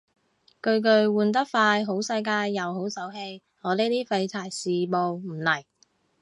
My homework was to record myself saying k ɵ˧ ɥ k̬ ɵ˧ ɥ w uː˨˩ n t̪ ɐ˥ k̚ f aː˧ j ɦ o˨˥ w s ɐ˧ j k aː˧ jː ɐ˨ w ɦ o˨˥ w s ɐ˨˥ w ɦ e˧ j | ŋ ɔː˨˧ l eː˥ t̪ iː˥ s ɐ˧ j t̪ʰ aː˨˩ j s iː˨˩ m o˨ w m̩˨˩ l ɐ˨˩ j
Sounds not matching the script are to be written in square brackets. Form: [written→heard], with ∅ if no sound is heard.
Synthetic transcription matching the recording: k ɵ˧ ɥ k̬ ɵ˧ ɥ w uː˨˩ n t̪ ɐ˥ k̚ f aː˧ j ɦ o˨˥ w s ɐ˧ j k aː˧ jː ɐ˨ w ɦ o˨˥ w s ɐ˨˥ w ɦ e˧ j | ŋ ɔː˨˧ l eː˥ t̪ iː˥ [s→f] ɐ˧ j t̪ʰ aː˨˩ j s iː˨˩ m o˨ w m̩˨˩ l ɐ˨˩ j